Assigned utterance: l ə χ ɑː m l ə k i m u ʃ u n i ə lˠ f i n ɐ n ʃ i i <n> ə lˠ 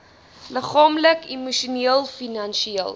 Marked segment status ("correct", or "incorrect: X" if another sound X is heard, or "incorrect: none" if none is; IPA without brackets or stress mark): incorrect: none